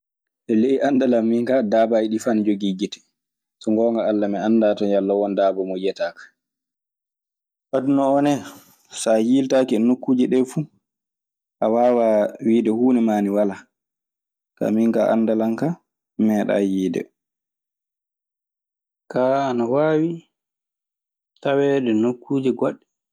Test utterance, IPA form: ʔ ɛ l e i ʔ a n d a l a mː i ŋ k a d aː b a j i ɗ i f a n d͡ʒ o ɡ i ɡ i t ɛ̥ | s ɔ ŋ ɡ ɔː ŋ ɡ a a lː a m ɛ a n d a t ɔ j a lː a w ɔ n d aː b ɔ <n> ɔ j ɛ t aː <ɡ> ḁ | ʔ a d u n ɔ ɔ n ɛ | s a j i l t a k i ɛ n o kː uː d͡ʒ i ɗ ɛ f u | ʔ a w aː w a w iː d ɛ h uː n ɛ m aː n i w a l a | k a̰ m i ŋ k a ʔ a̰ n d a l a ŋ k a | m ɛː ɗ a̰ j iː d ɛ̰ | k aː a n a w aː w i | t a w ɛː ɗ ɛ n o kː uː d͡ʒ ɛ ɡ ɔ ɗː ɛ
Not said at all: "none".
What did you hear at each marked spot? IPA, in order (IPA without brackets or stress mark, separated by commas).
m, k